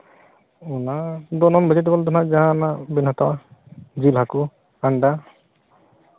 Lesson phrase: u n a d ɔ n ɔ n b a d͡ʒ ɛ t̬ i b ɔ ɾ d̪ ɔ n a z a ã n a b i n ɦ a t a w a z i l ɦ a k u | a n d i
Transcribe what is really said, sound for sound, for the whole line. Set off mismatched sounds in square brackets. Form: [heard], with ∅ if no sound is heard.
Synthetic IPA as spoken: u n a d ɔ n ɔ n b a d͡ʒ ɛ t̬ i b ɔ [l] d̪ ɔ n a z a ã n a b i n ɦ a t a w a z i l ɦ a k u | a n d [a]